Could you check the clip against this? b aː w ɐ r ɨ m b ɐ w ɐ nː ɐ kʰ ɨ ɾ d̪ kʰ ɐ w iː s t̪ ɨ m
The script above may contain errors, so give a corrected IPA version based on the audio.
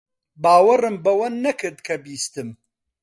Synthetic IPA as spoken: b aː w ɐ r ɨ m b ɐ w ɐ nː ɐ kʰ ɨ ɾ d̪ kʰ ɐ b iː s t̪ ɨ m